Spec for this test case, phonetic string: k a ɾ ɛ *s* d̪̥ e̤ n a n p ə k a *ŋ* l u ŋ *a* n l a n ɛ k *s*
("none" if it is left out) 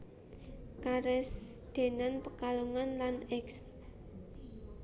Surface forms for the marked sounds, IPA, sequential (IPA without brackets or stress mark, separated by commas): s, none, a, s